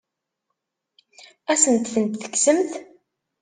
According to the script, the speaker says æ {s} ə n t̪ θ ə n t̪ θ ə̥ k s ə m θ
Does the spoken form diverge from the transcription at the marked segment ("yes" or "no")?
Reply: no